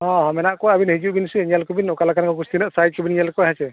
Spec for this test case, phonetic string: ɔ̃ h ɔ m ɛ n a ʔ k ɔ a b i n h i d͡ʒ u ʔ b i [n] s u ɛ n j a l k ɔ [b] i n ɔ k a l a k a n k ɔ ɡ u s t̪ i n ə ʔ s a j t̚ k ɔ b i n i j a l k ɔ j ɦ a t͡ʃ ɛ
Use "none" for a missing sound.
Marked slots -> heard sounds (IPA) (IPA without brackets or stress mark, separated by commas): n, b